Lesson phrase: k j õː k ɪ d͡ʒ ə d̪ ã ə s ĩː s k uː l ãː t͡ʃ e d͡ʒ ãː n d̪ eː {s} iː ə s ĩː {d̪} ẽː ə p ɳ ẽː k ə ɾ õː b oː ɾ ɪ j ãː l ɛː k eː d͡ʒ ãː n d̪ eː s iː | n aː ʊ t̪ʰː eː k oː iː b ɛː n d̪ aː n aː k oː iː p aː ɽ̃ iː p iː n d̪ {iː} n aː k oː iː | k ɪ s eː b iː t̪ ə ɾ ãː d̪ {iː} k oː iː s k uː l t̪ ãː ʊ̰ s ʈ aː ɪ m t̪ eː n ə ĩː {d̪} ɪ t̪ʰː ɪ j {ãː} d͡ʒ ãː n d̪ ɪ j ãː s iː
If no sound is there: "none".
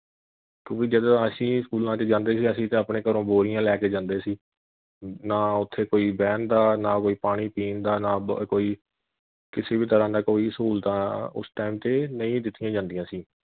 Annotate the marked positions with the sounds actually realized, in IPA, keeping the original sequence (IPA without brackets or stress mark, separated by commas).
s, t̪, aː, aː, d̪, ãː